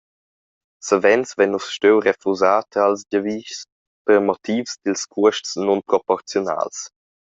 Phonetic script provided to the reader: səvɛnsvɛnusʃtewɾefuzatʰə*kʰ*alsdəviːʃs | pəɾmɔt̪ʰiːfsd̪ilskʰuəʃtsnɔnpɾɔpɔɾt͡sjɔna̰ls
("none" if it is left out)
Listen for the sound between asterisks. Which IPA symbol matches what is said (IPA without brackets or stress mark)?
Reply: none